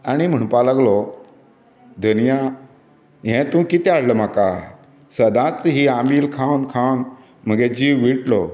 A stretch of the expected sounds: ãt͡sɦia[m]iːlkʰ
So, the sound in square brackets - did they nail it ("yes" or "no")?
yes